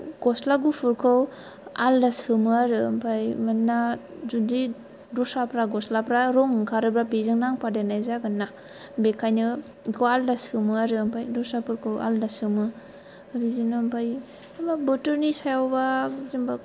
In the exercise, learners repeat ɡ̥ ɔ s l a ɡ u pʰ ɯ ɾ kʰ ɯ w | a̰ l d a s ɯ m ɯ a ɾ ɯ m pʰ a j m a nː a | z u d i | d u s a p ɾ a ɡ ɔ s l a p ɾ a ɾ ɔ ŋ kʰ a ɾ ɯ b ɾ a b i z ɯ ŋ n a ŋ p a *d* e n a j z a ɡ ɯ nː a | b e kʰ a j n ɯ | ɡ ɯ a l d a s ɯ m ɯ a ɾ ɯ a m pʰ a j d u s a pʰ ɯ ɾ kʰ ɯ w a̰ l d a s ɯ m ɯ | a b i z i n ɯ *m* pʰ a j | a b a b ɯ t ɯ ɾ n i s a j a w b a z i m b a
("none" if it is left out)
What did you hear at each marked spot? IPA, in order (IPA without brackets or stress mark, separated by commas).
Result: d, m